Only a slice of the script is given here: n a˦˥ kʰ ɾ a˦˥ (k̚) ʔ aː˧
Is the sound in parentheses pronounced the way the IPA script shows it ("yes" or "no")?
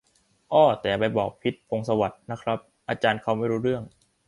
no